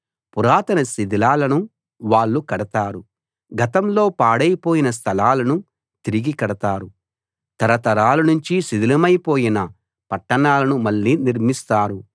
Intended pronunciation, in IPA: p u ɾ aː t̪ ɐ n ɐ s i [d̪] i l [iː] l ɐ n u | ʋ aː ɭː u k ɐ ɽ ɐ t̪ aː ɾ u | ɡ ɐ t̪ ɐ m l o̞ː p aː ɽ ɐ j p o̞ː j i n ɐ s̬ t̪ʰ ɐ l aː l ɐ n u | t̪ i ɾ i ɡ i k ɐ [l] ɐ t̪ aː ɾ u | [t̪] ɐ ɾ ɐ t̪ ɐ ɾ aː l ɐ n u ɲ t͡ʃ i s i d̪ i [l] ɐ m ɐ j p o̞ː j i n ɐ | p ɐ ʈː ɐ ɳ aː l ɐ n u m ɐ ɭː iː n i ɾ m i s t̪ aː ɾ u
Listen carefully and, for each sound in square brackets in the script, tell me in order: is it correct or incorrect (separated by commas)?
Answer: correct, incorrect, incorrect, correct, correct